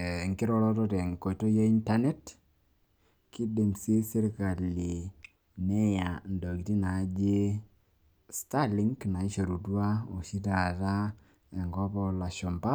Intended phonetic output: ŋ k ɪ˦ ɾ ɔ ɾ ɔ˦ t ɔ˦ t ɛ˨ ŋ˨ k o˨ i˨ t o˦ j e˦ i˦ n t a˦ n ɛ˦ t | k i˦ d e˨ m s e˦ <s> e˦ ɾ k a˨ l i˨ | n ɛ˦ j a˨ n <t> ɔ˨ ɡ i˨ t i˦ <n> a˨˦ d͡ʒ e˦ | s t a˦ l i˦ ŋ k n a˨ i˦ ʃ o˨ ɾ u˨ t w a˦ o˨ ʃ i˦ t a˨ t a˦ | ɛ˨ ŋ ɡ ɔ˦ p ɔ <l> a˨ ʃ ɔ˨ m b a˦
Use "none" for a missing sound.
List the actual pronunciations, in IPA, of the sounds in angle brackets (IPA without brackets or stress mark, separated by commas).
s, d, n, l